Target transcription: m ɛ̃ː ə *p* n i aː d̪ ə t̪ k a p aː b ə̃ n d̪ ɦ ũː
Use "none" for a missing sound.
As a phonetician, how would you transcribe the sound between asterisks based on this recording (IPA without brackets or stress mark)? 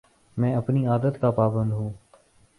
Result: p